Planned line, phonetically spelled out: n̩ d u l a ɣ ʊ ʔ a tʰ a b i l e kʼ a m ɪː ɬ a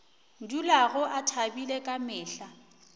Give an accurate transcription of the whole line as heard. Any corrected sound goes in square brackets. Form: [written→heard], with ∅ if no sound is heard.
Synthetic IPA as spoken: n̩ d u l a ɣ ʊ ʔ a tʰ a b i l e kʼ a m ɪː ɬ a